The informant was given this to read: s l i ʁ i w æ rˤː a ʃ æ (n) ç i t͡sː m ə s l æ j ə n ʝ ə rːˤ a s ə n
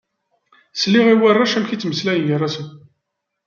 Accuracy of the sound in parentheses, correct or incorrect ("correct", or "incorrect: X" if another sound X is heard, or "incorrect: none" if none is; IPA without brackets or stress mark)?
incorrect: m